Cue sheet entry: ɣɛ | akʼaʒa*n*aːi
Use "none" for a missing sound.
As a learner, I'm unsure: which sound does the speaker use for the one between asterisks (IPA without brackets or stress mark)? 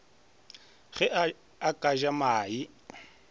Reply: m